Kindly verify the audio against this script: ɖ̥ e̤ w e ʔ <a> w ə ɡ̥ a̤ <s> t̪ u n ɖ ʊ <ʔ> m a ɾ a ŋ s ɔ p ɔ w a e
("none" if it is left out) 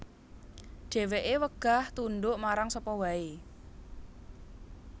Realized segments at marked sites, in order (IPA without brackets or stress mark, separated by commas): e, h, ʔ